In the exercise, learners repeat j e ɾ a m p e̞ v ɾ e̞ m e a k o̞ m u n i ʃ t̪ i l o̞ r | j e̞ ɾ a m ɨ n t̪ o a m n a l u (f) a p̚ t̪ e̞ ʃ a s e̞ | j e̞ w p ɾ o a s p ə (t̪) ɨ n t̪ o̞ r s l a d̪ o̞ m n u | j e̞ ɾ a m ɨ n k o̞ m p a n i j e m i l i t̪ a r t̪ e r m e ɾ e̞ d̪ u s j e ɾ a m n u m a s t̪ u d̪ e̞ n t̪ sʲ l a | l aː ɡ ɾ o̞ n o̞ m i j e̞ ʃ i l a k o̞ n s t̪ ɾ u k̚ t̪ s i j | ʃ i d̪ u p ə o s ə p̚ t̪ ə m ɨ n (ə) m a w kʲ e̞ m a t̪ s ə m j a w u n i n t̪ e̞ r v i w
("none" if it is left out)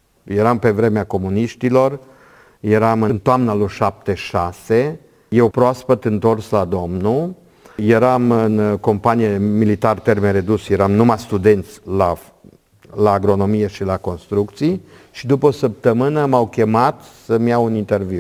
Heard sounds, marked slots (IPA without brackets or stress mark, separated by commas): ʃ, t̪, ə